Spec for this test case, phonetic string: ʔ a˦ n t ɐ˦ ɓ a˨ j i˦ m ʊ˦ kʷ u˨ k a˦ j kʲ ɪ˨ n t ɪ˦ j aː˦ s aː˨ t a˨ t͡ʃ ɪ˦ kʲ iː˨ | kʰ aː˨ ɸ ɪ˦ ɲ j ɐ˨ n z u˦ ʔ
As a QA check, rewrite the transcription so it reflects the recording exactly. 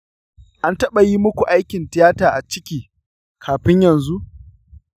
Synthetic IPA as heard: ʔ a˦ n t ɐ˦ ɓ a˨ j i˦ m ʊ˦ kʷ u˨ ʔ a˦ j kʲ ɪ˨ n t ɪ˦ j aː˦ t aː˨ ʔ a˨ t͡ʃ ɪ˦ kʲ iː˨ | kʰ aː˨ ɸ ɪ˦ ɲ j ɐ˨ n z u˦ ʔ